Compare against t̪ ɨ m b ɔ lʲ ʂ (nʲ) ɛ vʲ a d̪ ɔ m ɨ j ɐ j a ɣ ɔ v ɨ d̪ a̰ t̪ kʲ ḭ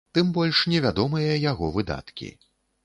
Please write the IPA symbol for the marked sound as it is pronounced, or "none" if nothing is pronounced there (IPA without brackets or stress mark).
nʲ